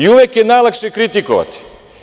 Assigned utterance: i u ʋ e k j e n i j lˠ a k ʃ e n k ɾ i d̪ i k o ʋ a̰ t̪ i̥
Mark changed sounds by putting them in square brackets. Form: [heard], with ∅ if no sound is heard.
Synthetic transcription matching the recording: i u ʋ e k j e n [a] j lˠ a k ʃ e [∅] k ɾ i [t̪] i k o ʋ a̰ t̪ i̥